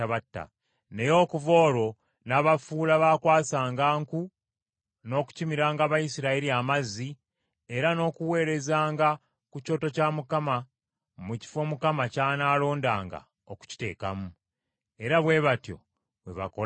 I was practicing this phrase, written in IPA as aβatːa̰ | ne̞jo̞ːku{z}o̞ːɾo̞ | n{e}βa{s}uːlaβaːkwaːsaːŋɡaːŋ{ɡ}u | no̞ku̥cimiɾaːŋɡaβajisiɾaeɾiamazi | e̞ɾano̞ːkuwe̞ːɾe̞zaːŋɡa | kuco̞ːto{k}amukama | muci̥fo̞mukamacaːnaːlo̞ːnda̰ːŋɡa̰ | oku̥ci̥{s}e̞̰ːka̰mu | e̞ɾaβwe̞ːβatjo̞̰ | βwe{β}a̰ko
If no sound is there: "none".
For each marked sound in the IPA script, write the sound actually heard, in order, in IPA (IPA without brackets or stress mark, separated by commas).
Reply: v, a, f, k, c, t, β